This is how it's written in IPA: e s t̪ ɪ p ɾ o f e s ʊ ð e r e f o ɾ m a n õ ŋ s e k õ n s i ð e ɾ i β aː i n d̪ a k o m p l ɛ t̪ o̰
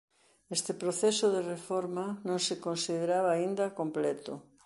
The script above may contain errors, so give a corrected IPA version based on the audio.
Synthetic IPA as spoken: e s t̪ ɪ p ɾ o θ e s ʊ ð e r e f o ɾ m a n õ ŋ s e k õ n s i ð e ɾ a β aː i n d̪ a k o m p l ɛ t̪ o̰